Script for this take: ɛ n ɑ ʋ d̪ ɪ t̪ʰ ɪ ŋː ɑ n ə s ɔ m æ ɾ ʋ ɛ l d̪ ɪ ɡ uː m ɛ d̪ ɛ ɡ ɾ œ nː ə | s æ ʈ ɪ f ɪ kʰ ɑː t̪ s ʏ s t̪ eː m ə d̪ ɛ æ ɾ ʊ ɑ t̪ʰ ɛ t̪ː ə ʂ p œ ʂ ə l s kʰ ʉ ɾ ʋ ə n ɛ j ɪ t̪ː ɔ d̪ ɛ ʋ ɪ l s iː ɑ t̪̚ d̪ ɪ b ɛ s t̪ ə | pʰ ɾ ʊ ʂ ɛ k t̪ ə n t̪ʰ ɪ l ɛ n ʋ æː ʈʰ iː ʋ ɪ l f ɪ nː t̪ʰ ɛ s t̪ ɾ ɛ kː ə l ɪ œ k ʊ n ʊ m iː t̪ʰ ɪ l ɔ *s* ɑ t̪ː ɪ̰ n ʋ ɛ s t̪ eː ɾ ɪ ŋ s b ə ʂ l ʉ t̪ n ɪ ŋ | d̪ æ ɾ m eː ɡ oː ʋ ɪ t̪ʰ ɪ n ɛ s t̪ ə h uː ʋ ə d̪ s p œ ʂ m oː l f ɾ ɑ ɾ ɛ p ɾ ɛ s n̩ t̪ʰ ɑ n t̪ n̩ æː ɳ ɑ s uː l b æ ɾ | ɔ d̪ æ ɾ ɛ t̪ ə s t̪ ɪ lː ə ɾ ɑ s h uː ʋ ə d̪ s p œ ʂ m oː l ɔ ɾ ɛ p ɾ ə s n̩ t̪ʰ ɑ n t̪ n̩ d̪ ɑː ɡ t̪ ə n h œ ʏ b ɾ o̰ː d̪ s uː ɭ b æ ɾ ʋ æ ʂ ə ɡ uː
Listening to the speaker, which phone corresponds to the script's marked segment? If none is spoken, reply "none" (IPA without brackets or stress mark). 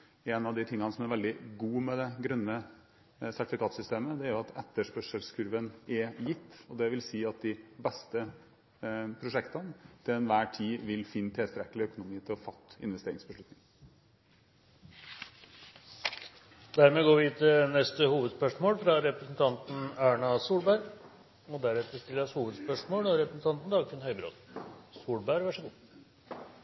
f